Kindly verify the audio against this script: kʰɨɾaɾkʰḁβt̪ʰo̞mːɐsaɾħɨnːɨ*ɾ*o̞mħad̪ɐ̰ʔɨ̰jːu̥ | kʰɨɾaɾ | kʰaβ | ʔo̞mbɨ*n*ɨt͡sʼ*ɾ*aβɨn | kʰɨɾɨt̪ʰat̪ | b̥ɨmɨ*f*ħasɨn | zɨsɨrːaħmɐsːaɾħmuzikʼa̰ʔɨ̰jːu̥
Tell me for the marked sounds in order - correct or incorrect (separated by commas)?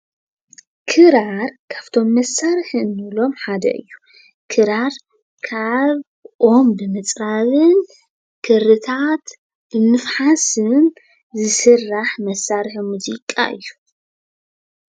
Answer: incorrect, incorrect, correct, correct